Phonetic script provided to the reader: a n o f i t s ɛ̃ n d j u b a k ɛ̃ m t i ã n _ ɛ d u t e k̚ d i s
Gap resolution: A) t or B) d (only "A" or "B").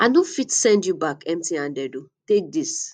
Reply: B